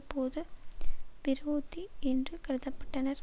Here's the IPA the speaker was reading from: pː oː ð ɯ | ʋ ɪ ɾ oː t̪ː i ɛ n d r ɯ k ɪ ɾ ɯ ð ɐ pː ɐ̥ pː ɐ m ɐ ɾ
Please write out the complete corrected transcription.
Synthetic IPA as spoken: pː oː ð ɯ | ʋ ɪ ɾ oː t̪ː i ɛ n d r ɯ k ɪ ɾ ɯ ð ɐ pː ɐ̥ ʈː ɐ n ɐ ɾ